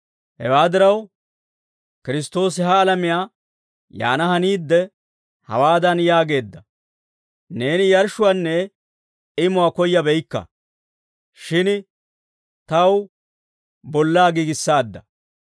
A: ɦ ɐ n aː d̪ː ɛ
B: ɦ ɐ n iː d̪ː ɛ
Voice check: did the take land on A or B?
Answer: B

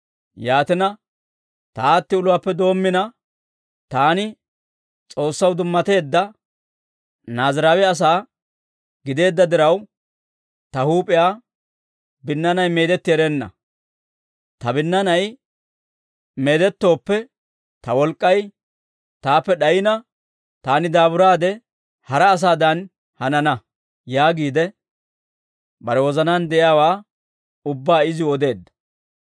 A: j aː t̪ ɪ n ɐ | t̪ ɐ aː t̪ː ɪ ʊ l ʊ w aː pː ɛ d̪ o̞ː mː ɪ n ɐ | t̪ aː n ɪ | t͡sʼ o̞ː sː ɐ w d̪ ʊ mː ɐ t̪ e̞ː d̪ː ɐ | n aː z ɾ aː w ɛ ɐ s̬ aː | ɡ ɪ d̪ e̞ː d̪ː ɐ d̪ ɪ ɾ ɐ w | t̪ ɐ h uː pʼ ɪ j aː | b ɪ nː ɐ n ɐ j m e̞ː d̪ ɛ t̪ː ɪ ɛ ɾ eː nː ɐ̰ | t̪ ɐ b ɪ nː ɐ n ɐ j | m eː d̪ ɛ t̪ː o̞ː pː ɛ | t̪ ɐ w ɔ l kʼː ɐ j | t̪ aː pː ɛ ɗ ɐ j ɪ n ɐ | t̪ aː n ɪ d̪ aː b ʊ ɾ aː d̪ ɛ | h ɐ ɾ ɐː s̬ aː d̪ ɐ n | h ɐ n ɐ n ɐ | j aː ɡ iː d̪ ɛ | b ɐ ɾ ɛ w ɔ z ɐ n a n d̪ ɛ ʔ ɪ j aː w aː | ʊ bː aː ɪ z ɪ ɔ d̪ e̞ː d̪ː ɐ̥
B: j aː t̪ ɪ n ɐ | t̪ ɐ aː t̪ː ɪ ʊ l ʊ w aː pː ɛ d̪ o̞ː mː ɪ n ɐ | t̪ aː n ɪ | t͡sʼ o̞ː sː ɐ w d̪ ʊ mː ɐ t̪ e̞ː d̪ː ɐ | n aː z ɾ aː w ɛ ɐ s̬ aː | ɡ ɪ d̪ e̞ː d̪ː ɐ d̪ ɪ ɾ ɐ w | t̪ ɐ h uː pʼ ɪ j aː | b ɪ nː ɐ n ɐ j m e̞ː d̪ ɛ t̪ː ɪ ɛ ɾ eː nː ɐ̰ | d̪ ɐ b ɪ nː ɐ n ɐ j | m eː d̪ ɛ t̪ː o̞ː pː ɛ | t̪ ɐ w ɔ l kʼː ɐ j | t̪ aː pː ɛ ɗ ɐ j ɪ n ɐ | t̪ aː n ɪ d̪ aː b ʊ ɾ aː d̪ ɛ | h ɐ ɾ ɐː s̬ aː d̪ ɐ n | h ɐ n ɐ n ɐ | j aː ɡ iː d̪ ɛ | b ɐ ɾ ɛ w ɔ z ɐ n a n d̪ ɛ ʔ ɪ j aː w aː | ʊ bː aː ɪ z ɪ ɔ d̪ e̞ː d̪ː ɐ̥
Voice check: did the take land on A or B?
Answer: A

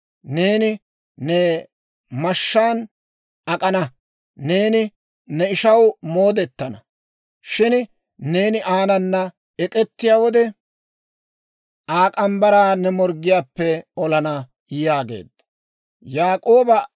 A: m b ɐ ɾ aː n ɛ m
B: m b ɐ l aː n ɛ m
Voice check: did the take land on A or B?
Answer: A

